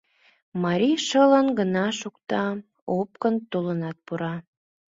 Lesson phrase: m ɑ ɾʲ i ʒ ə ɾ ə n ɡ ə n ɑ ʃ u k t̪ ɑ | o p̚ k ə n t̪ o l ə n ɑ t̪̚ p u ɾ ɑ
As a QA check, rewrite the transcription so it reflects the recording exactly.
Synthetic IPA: m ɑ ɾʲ i ʃ ə l ə n ɡ ə n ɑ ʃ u k t̪ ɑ | o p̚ k ə n t̪ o l ə n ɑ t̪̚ p u ɾ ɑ